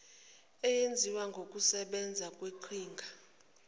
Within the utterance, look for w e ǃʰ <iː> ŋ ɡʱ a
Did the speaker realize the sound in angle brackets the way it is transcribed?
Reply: yes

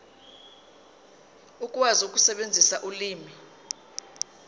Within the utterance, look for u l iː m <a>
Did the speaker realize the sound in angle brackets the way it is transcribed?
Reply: no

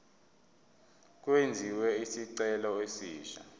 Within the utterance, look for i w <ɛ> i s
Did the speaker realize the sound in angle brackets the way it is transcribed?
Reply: yes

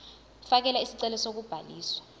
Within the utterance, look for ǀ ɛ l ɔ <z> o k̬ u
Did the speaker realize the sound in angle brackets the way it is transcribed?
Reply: no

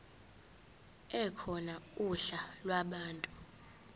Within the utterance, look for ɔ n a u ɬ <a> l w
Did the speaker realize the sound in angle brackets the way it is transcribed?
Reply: yes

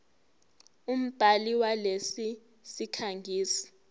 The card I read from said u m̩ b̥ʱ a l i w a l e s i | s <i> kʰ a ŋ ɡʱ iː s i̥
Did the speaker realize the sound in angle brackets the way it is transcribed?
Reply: yes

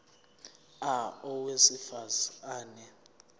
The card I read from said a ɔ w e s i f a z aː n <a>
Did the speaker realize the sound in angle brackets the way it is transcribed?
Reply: no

